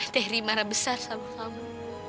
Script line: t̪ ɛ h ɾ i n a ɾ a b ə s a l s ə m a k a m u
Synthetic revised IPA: t̪ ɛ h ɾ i m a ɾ a b ə s a r s a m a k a m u